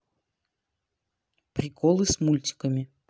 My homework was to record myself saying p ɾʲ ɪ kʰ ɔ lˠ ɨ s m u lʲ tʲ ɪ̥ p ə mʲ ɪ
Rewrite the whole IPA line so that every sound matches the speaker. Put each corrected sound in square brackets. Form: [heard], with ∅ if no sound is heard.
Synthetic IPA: p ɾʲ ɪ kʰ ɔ lˠ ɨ s m u lʲ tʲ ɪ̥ [k] ə mʲ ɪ